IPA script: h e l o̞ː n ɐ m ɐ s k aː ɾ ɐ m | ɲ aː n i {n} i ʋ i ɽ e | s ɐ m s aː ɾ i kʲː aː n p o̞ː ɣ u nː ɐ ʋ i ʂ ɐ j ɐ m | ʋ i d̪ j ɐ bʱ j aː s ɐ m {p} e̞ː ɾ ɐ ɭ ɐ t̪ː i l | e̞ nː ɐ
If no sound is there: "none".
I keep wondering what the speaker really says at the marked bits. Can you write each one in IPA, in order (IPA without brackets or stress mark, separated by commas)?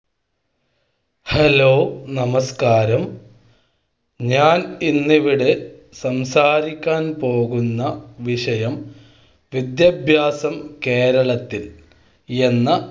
nː, k